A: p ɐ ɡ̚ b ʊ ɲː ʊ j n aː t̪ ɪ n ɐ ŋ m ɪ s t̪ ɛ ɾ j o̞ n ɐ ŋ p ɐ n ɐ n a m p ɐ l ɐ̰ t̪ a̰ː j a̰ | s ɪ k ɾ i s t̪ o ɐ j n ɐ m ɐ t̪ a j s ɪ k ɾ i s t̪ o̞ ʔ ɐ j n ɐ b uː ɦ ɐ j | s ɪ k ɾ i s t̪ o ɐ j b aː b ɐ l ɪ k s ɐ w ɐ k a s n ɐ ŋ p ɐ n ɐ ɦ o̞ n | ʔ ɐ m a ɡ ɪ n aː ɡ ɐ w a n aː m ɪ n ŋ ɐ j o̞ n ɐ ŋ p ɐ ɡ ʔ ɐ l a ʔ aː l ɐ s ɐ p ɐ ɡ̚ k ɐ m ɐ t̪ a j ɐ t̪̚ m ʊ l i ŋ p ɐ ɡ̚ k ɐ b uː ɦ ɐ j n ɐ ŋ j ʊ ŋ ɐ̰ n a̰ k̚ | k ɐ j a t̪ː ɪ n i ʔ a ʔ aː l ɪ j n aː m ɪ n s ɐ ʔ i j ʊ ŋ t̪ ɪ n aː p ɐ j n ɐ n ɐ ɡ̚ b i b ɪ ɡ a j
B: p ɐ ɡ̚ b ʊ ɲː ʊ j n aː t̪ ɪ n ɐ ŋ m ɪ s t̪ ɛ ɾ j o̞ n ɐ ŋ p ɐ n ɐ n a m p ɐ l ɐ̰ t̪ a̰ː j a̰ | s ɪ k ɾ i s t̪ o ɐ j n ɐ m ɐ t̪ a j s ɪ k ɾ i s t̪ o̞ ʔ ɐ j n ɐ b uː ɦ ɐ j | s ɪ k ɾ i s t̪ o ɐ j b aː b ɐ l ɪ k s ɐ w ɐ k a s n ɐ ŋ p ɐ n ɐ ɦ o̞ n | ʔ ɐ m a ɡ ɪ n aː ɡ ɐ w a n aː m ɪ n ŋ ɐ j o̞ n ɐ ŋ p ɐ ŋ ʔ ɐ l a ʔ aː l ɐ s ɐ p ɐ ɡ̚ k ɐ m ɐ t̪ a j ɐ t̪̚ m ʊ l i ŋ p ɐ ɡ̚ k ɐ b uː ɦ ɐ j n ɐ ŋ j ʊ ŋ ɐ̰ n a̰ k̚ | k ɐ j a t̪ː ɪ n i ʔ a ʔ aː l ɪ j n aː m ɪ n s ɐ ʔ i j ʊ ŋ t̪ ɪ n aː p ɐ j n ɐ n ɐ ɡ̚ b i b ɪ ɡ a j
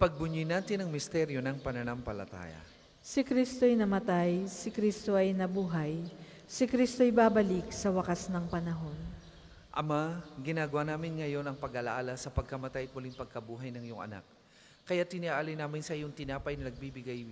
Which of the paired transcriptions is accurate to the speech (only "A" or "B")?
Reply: A